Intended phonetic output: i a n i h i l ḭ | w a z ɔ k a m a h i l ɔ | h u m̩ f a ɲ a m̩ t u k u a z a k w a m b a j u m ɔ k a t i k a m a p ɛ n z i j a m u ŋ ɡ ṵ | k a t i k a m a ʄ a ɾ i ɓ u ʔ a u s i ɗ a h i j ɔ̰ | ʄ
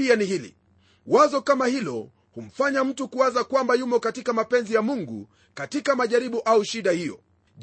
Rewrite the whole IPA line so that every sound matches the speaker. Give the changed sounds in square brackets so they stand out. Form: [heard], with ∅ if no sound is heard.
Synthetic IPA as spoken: i a n i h i l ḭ | w a z ɔ k a m a h i l ɔ | h u m̩ f a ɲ a m̩ t u k u a z a k w a m b a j u m ɔ k a t i k a m a p ɛ n z i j a m u ŋ ɡ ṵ | k a t i k a m a ʄ a ɾ i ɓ u ʔ a u [ʃ] i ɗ a h i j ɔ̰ | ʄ